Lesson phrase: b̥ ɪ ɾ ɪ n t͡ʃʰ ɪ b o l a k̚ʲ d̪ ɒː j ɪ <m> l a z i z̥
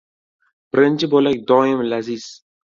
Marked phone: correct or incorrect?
correct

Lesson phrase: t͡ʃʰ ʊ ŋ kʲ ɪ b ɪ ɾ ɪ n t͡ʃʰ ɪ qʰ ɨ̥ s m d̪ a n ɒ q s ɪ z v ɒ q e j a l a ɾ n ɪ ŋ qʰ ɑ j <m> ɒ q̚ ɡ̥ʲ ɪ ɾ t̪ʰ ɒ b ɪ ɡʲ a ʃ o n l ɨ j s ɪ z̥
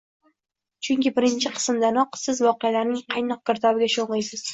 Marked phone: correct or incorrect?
incorrect: n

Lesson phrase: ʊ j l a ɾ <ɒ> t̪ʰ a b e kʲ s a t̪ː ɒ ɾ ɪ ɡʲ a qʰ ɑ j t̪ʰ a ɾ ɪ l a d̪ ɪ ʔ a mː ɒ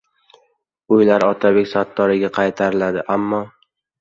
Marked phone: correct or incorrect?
correct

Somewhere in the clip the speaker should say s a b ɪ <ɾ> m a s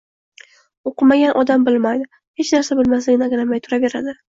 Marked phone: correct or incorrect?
incorrect: l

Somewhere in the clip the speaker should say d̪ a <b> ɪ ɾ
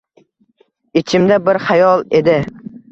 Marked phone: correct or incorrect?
correct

